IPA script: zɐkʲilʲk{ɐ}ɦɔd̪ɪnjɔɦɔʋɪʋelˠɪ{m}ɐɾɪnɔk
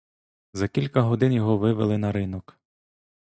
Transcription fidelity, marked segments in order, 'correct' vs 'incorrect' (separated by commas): correct, incorrect